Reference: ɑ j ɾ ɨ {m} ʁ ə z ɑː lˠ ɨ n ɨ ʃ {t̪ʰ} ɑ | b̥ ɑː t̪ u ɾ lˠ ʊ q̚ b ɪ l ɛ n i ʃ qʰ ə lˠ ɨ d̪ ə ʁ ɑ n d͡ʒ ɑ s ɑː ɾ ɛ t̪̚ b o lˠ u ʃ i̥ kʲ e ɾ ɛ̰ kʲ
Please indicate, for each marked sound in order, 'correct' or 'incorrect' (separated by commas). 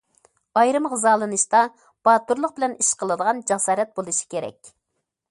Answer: correct, incorrect